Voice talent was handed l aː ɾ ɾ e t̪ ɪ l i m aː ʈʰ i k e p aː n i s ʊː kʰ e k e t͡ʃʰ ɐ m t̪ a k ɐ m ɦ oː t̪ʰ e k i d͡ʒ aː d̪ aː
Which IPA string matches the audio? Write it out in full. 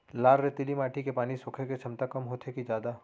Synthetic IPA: l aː ɾ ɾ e t̪ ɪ l i m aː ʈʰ i k e p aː n i s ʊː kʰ e k e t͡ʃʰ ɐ m t̪ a k ɐ m ɦ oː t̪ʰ e k i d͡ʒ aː d̪ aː